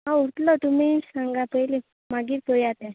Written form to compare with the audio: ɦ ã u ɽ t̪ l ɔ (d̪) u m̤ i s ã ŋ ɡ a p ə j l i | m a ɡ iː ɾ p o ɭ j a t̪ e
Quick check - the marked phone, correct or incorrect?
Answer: incorrect